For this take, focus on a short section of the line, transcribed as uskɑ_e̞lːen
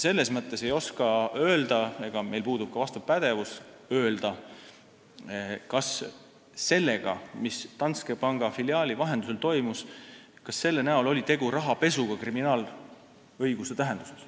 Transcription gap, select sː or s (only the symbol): sː